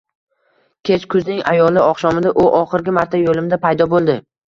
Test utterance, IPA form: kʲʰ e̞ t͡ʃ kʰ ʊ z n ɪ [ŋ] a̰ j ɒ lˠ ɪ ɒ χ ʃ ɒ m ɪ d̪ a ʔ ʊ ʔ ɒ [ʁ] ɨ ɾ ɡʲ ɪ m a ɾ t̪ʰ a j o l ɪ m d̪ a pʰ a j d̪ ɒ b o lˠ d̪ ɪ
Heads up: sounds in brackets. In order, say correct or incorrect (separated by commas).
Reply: correct, incorrect